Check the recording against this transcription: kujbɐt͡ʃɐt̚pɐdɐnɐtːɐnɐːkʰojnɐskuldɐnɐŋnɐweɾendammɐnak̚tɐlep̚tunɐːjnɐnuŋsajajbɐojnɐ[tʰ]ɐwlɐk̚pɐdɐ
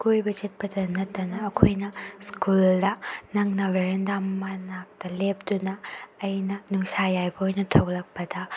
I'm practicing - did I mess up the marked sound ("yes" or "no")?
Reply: no